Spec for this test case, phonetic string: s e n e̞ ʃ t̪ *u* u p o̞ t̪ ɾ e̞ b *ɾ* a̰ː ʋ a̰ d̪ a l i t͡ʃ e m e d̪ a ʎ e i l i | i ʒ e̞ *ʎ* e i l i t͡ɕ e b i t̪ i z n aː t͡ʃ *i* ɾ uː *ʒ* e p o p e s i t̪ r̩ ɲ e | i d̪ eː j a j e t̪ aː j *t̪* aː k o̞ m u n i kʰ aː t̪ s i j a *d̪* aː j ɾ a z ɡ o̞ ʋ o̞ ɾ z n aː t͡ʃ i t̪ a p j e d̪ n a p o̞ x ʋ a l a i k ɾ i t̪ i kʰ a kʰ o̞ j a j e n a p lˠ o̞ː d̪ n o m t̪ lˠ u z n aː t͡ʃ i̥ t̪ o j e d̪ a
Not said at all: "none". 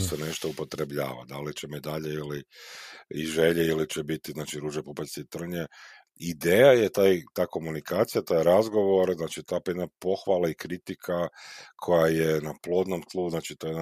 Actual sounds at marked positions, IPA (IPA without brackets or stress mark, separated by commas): o, ʎ, ʎ, i, ʒ, t̪, t̪